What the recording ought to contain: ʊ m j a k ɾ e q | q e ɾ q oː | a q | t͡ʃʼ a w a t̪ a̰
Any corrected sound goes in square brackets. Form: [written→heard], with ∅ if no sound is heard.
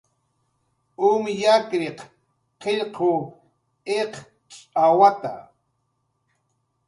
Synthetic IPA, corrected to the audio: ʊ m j a k ɾ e q | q e [ɾ→ʎ] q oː | [a→e] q | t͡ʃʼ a w a t̪ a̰

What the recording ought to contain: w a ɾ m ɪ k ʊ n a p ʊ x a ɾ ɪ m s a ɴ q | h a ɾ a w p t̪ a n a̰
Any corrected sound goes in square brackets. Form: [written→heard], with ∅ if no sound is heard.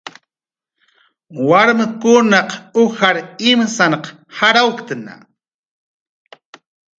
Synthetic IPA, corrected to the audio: w a ɾ m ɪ k ʊ n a [p→q] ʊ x a ɾ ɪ m s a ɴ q | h a ɾ a w [p→k] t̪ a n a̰

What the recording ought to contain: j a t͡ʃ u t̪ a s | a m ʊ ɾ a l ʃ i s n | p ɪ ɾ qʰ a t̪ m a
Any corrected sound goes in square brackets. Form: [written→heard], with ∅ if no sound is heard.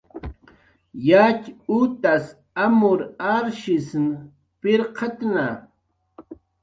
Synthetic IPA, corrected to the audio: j a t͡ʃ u t̪ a s | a m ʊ ɾ a [l→ɾ] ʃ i s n | p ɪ ɾ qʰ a t̪ [m→n] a

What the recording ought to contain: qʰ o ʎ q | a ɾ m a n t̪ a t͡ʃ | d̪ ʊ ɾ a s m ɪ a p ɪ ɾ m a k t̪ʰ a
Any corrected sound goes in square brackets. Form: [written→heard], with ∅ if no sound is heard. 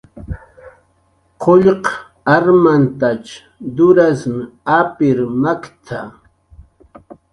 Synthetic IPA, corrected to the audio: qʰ o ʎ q | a ɾ m a n t̪ a t͡ʃ | d̪ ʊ ɾ a s m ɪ a p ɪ ɾ m a k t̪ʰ a

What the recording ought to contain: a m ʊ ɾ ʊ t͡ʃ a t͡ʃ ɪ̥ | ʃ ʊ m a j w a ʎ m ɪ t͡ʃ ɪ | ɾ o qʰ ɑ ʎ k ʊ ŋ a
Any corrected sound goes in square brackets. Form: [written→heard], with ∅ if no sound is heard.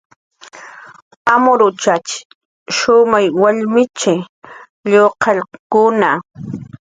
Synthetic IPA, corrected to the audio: a m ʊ ɾ ʊ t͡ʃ a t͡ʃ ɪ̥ | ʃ ʊ m a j w a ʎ m ɪ t͡ʃ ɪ | [ɾ→ʎ] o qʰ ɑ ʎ k ʊ [ŋ→n] a

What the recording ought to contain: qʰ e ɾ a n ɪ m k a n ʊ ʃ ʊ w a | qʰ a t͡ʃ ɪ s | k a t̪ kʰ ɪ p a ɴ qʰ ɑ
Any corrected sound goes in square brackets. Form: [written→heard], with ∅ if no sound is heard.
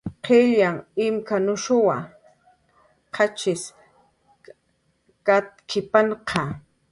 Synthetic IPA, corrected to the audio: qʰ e [ɾ→ʎ] a [n→ŋ] ɪ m k a n ʊ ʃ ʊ w a | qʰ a t͡ʃ ɪ s | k a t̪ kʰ ɪ p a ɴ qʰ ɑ

